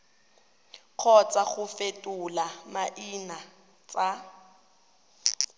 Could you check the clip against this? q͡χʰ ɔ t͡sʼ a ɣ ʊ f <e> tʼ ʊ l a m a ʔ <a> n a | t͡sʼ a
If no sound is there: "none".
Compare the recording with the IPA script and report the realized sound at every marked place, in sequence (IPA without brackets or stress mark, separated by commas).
e, i